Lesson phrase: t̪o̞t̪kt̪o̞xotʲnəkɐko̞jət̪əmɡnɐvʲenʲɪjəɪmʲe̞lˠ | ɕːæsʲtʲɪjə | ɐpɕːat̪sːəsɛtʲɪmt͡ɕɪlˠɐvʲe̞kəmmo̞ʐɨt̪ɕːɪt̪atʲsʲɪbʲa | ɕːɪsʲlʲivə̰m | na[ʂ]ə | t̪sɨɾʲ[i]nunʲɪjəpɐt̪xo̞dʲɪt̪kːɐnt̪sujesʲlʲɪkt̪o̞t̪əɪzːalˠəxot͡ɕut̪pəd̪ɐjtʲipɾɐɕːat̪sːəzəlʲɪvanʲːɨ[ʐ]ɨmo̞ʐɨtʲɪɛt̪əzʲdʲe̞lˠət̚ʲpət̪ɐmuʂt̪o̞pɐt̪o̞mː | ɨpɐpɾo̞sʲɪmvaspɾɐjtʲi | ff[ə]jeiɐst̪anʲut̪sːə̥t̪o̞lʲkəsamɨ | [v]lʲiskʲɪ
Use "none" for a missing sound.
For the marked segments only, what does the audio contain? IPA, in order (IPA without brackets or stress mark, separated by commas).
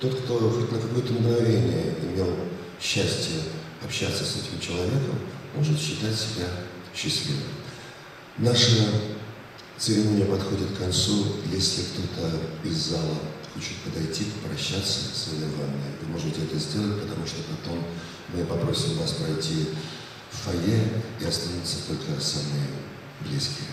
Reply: ʂ, ɪ, v, ɐ, b